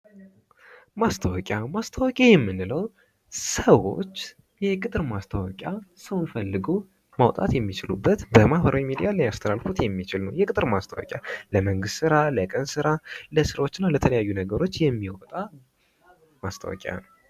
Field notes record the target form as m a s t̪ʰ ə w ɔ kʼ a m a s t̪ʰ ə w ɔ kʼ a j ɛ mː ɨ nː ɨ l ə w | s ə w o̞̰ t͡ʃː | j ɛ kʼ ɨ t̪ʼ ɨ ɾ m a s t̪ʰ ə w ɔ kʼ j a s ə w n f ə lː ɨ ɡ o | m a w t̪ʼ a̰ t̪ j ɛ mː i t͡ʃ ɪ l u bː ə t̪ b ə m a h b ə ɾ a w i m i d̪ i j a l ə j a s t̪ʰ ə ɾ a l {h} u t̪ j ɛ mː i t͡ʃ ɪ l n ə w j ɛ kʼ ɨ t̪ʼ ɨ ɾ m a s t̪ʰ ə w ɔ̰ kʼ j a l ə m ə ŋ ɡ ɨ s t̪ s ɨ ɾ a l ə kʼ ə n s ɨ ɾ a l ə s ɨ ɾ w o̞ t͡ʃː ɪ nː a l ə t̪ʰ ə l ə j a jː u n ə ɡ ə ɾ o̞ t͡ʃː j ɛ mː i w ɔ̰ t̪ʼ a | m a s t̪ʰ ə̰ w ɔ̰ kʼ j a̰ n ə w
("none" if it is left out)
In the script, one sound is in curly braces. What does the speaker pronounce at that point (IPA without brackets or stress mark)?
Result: f